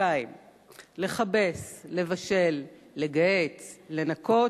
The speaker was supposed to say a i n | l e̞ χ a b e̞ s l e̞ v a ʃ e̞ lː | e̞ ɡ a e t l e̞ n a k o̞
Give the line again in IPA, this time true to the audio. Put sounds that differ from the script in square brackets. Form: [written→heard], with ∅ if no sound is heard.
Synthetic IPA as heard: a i [n→m] | l e̞ χ a b e̞ s l e̞ v a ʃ e̞ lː | e̞ ɡ a e [t→t͡s] l e̞ n a k o̞